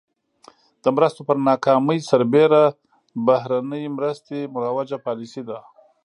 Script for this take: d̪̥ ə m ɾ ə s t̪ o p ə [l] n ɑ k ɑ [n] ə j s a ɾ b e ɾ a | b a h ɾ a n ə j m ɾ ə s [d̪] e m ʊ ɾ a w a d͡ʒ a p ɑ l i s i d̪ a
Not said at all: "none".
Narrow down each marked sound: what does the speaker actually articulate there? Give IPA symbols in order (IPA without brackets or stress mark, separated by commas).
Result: ɾ, m, t̪